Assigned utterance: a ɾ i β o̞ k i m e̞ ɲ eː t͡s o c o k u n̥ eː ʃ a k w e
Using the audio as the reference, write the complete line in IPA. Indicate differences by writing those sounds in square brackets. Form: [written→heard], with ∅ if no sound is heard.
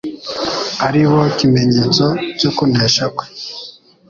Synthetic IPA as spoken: a ɾ i β o̞ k i m e̞ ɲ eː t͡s o c o k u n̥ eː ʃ a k w e